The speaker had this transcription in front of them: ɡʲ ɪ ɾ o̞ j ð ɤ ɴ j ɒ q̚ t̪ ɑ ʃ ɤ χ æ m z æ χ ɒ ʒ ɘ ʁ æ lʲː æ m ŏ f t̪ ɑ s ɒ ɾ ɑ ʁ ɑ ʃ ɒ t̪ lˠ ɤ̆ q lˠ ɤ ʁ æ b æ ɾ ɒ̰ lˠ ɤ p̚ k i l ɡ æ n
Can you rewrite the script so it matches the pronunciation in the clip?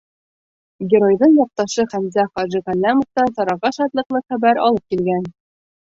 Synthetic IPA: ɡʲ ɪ ɾ o̞ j ð ɤ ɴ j ɒ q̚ t̪ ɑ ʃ ɤ χ æ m z æ χ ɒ ʒ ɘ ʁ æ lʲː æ m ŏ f t̪ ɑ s ɒ ɾ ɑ ʁ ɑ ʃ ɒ t̪ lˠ ɤ̆ q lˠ ɤ χ æ b æ ɾ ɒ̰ lˠ ɤ p̚ k i l ɡ æ n